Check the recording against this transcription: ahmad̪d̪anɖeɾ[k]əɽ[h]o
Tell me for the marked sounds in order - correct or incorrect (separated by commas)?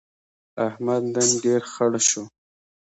incorrect, incorrect